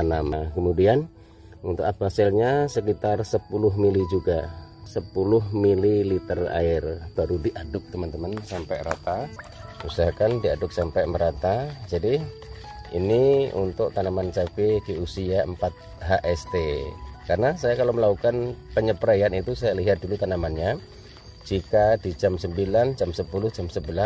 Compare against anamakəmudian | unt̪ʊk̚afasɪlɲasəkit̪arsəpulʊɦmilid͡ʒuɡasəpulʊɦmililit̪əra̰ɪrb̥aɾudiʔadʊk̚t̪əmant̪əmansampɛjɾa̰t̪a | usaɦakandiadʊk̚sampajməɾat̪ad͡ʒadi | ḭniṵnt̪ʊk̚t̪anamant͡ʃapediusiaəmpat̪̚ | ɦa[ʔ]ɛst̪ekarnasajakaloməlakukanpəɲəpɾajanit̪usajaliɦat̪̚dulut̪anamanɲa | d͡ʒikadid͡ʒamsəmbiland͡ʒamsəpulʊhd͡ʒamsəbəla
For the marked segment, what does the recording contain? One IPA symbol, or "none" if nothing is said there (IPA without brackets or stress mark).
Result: ʔ